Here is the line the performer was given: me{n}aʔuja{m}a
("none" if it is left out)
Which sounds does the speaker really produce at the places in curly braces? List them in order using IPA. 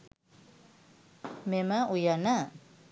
m, n

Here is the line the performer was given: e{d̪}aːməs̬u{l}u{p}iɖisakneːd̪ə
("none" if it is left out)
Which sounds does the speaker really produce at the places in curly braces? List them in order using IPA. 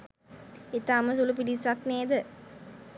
t̪, l, p

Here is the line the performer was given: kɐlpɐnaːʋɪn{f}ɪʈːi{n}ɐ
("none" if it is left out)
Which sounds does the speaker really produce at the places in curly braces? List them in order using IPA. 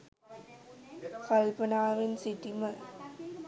s, m

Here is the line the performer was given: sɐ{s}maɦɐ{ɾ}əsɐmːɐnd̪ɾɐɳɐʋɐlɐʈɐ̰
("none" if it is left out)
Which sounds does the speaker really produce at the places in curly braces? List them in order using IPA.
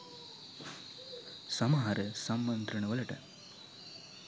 none, ɾ

